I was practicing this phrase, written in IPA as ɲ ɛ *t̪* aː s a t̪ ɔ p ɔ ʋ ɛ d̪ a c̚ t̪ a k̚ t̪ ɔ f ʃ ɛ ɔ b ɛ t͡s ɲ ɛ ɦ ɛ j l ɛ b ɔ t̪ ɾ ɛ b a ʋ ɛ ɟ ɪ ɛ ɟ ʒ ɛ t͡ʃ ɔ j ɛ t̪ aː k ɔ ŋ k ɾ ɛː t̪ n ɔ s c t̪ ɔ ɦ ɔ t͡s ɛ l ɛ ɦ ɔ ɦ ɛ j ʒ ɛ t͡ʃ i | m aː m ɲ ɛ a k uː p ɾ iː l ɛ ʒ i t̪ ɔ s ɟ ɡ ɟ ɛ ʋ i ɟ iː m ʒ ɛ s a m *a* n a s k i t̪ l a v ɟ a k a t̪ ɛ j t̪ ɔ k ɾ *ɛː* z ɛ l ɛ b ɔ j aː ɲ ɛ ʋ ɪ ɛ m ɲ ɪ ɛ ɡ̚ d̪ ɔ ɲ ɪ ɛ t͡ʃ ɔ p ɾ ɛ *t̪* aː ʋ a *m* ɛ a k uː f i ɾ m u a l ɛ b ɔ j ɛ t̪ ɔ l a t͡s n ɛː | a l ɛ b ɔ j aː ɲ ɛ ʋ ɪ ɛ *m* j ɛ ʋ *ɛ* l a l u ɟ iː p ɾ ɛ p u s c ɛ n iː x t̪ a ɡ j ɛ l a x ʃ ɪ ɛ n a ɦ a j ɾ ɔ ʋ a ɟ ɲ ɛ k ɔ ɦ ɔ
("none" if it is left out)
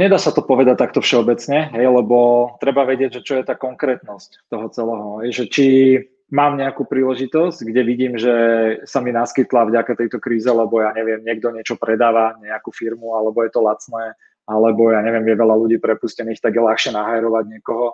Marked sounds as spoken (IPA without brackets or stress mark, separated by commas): d̪, i, iː, d̪, ɲ, m, ɛ